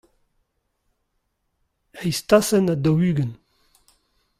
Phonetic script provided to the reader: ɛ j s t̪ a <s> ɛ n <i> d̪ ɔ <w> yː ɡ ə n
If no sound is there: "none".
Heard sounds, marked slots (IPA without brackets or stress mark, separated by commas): s, a, w